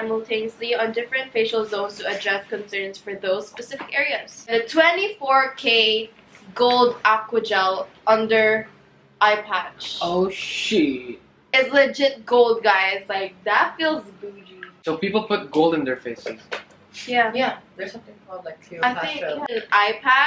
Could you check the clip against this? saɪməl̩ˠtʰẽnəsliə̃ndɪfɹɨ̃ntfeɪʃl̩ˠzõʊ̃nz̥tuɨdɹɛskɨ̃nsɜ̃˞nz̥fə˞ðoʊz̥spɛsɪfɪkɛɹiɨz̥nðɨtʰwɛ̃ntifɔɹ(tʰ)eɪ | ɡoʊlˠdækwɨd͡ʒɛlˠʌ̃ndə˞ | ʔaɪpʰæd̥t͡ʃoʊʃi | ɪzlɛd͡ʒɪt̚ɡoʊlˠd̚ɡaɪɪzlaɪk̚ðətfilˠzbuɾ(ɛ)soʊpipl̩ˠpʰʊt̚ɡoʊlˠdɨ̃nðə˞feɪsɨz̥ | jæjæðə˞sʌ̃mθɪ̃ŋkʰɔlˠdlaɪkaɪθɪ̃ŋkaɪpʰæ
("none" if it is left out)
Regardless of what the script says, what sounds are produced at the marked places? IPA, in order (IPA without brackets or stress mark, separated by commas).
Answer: kʰ, i